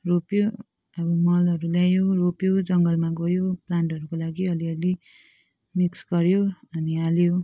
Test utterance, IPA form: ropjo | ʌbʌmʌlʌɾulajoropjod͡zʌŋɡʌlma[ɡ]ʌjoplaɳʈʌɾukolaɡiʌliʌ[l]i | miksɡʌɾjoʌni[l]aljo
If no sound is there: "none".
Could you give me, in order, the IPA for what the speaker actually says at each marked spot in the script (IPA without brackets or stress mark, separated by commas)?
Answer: ɡ, l, none